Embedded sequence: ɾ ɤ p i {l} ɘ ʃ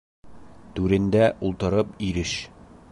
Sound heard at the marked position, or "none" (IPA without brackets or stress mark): ɾ